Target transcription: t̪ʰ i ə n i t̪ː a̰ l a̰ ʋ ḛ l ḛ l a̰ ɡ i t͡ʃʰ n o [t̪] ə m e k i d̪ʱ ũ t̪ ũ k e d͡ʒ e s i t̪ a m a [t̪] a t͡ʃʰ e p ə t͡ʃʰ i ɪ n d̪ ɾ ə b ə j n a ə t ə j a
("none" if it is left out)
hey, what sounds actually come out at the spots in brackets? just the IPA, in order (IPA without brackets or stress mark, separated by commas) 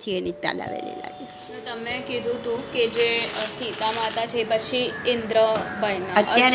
t̪, t̪